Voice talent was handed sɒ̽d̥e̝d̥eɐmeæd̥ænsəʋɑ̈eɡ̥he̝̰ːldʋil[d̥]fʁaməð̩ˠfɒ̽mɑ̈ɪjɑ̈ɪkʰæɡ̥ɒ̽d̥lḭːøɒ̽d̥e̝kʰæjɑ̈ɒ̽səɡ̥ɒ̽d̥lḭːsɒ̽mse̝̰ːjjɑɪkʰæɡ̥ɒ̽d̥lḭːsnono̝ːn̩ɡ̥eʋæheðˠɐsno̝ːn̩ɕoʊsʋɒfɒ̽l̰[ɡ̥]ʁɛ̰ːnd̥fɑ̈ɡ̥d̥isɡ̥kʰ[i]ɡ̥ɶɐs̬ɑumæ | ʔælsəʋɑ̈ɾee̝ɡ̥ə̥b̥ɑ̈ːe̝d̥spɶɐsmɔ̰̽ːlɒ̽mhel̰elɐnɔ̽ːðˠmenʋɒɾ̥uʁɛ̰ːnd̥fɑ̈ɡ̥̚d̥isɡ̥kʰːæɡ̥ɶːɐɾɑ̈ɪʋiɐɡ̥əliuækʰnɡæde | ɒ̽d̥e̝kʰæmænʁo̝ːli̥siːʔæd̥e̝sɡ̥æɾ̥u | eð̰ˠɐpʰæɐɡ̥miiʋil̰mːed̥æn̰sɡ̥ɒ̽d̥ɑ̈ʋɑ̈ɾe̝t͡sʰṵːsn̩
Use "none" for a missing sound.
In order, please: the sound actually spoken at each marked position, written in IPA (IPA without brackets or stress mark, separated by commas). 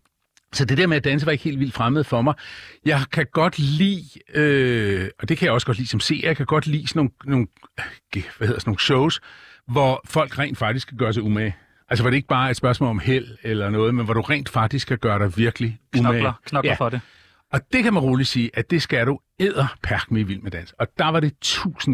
d̥, ɡ̥, æ